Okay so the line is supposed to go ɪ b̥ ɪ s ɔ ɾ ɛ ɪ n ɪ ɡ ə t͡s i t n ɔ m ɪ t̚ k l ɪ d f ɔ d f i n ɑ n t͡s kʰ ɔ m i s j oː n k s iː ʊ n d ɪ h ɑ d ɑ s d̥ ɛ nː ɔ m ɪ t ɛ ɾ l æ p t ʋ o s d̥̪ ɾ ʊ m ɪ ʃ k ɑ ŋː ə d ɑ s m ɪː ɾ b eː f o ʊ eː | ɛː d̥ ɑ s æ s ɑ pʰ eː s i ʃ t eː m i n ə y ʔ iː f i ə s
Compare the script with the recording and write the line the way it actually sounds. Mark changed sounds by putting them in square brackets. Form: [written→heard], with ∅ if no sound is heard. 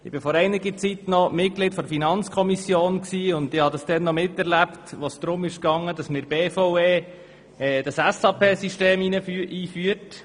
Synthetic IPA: ɪ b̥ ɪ [s→f] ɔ ɾ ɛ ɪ n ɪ ɡ ə t͡s i t n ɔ m ɪ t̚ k l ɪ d f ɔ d f i n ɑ n t͡s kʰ ɔ m i s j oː n k s iː ʊ n d ɪ h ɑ d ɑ s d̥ ɛ nː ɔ m ɪ t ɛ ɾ l æ p t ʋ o s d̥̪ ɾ ʊ m ɪ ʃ k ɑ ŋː ə d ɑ s m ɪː ɾ b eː f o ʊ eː | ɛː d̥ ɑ s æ s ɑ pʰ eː s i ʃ t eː m i n ə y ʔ iː f [i→y] ə [s→t]